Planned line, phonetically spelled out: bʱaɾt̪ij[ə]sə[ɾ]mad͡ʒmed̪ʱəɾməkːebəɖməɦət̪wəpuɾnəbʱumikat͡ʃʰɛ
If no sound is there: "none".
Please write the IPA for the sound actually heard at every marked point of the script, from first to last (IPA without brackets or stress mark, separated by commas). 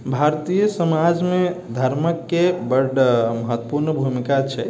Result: ə, none